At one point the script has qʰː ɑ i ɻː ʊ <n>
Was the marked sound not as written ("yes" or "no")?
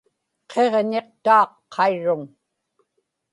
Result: yes